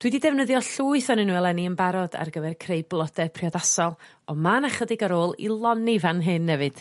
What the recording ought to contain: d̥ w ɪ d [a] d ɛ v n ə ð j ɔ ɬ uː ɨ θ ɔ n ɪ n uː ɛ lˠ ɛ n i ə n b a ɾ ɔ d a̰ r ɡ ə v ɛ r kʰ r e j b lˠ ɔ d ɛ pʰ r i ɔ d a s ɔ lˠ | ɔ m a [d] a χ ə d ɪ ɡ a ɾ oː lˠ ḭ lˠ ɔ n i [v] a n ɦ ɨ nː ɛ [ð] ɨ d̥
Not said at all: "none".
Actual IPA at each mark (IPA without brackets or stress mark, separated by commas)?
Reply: i, n, v, v